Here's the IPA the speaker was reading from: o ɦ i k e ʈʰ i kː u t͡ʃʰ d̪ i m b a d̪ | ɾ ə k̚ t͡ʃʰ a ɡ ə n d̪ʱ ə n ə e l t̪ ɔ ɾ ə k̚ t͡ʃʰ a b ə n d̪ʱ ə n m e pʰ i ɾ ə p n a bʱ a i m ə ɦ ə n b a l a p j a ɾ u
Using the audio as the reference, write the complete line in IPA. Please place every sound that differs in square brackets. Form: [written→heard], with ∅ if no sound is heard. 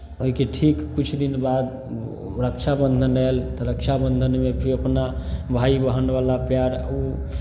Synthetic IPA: o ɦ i k e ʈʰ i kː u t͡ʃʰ d̪ i [m→n] b a d̪ | ɾ ə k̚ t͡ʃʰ a [ɡ→b] ə n d̪ʱ ə n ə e l t̪ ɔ ɾ ə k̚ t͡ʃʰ a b ə n d̪ʱ ə n m e pʰ i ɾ ə p n a bʱ a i [m→b] ə ɦ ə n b a l a p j a ɾ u

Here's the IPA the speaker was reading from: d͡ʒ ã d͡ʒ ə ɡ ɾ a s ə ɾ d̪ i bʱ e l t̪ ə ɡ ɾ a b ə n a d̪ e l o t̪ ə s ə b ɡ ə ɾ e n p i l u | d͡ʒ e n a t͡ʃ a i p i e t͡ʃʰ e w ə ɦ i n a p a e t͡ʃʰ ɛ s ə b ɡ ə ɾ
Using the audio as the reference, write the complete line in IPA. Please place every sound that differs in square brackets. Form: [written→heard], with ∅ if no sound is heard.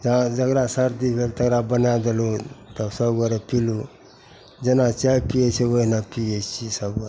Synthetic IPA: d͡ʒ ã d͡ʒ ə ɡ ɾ a s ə ɾ d̪ i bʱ e l t̪ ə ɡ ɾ a b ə n a d̪ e l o t̪ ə s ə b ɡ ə ɾ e [n→∅] p i l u | d͡ʒ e n a t͡ʃ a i p i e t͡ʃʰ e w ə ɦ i n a p [a→i] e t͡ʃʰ [ɛ→i] s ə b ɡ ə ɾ

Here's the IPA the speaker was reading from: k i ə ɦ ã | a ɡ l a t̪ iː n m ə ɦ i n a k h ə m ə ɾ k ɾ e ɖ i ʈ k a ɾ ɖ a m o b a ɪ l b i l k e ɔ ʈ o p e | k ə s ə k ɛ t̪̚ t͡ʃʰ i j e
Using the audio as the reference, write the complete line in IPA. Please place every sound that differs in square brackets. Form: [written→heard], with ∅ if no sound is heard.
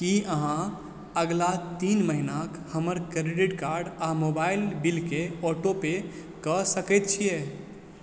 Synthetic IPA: k i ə ɦ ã | [a→ə] ɡ l a t̪ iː n m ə ɦ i n a k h ə m ə ɾ k ɾ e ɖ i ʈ k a ɾ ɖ a m o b a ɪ l b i l k e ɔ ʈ o p e | k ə s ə k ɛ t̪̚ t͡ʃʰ i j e

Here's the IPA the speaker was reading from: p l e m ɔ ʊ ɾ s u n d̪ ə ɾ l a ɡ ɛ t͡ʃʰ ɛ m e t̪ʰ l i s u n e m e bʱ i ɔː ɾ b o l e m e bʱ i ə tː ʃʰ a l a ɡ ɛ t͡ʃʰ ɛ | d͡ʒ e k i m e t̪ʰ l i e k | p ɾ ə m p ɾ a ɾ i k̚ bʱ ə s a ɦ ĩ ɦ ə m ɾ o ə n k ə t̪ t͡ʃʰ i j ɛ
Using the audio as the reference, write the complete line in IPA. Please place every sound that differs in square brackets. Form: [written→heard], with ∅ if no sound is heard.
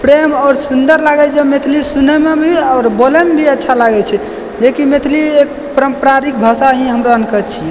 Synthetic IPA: p [l→ɾ] e m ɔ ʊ ɾ s u n d̪ ə ɾ l a ɡ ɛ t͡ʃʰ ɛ m e t̪ʰ l i s u n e m e bʱ i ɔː ɾ b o l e m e bʱ i ə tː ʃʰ a l a ɡ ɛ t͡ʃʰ ɛ | d͡ʒ e k i m e t̪ʰ l i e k | p ɾ ə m p ɾ a ɾ i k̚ bʱ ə s a ɦ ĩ ɦ ə m ɾ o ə n k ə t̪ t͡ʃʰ i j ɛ

